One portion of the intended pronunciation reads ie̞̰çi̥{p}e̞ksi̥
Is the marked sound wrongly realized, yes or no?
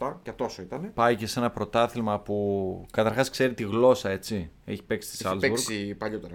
no